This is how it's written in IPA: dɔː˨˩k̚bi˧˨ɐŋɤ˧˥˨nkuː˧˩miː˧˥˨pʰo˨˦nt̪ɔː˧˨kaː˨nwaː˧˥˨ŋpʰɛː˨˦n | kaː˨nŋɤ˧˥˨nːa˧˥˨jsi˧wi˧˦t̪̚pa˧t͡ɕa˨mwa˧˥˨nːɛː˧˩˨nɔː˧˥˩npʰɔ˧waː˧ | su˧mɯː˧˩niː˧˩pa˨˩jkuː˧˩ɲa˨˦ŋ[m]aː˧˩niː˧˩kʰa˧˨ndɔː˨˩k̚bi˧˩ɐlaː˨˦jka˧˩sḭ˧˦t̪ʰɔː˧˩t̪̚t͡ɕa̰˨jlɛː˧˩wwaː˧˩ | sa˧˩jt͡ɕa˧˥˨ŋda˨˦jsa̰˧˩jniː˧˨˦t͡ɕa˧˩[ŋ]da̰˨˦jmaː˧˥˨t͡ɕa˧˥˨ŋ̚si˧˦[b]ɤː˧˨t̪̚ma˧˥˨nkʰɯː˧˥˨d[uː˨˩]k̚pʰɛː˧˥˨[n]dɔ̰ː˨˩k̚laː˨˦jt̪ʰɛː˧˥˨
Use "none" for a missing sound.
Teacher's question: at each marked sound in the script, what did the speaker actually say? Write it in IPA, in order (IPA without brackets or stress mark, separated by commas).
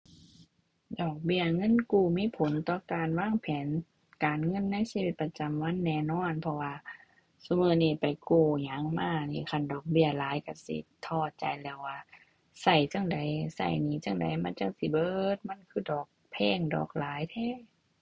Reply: m, ŋ, b, ɔː˨˩, ŋ